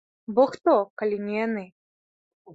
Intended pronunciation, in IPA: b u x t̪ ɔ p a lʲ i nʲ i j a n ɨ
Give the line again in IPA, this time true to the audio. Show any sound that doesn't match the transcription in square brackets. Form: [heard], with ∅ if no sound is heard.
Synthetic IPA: b [ɔ] x t̪ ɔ [k] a lʲ i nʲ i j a n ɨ